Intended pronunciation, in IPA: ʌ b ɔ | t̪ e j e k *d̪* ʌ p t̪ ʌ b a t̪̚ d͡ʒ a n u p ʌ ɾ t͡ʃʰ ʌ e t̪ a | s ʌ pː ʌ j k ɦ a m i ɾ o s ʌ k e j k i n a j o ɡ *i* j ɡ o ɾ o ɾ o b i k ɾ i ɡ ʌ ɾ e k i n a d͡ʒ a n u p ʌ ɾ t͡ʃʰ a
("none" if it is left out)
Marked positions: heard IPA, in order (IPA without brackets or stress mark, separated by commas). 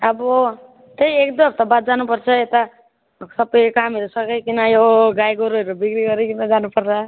d̪, a